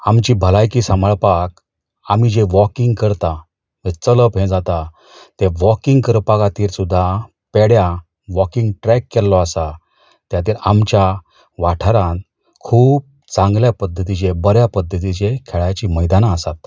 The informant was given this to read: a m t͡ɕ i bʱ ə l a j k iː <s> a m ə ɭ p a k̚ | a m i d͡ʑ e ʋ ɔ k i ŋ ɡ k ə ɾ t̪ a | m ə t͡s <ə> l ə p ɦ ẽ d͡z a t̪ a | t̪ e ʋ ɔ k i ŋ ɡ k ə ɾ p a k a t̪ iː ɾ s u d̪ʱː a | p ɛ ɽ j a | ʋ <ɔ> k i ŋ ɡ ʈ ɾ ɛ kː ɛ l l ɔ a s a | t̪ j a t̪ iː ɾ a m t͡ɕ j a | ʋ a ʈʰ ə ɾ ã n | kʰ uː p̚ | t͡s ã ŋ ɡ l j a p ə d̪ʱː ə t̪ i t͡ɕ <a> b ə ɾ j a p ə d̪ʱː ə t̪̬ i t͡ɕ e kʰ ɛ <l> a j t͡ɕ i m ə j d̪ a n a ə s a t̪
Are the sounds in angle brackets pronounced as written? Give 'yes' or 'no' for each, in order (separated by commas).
yes, yes, yes, no, no